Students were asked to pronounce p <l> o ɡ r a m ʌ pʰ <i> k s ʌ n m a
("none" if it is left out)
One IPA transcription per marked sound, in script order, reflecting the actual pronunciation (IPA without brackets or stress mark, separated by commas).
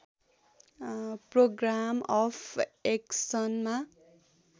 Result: r, e